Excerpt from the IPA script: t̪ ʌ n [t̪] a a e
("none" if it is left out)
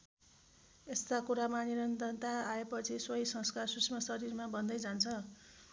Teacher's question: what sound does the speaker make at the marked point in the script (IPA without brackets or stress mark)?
t̪